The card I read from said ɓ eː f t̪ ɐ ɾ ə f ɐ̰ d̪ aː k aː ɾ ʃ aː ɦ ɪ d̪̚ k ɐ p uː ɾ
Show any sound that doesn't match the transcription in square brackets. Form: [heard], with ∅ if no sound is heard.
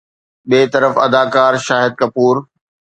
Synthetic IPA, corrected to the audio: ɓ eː [∅] t̪ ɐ ɾ ə f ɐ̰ d̪ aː k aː ɾ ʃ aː ɦ ɪ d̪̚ k ɐ p uː ɾ